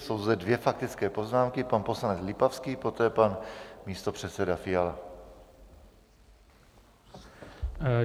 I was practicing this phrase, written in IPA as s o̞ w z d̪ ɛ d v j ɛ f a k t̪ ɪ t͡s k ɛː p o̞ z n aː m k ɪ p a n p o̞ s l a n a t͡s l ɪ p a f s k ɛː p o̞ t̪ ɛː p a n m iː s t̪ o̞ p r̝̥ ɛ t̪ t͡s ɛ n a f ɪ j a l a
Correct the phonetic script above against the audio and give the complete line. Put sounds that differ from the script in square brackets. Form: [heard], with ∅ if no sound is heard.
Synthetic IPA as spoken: s o̞ w z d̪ ɛ d v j ɛ f a k t̪ ɪ t͡s k ɛː p o̞ z n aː m k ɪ p a n p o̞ s l a n [ɛ] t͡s l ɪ p a f s k [iː] p o̞ t̪ ɛː p a n m iː s t̪ o̞ p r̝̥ ɛ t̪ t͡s ɛ [d] a f ɪ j a l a